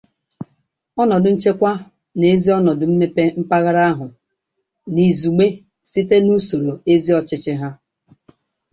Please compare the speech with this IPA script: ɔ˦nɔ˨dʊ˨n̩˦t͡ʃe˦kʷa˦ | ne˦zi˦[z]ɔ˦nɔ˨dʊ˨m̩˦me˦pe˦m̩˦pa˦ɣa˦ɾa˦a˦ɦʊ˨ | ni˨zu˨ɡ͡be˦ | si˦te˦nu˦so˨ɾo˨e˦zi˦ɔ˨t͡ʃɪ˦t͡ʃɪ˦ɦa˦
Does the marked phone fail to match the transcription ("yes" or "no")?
yes